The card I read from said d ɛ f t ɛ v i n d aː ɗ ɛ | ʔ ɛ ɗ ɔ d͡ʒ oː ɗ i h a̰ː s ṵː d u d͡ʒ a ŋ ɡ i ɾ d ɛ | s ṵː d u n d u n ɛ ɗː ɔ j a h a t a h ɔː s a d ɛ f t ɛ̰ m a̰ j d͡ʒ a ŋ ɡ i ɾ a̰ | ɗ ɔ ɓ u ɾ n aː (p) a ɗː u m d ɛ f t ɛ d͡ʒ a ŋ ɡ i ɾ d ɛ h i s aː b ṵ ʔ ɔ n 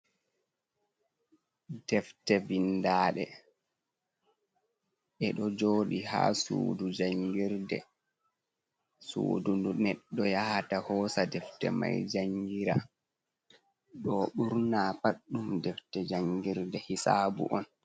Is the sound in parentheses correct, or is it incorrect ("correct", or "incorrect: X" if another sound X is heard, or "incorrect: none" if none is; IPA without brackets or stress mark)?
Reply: correct